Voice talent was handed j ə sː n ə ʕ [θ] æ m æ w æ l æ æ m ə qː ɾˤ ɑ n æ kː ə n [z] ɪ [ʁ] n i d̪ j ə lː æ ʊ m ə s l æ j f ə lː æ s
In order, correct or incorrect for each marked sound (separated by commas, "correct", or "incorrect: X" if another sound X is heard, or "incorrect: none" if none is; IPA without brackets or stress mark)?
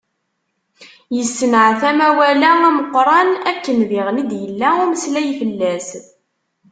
correct, incorrect: ð, correct